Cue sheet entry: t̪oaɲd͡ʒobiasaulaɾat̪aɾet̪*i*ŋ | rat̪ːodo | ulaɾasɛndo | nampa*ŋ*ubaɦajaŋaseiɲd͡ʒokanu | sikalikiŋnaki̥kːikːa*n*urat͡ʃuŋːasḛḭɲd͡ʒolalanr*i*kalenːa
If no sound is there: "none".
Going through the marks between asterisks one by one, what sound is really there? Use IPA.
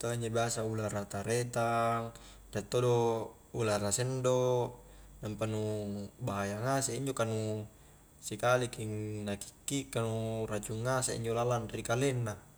a, n, n, i

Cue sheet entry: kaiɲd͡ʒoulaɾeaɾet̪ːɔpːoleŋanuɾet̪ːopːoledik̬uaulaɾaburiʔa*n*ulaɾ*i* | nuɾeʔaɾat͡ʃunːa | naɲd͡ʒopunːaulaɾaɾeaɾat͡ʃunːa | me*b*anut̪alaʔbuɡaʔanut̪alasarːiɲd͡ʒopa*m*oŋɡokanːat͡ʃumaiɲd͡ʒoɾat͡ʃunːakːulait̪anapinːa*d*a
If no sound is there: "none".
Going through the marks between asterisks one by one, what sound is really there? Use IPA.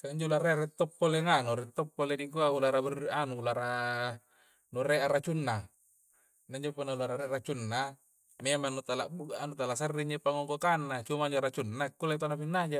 n, a, m, ŋ, d͡ʒ

